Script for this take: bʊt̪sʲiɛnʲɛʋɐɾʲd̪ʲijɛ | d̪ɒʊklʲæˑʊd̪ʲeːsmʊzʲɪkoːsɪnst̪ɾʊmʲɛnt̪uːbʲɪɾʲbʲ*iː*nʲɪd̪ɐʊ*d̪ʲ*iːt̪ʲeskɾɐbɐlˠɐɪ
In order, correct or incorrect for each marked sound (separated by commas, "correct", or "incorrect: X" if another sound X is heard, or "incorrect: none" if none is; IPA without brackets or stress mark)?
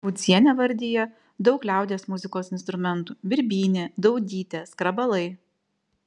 correct, correct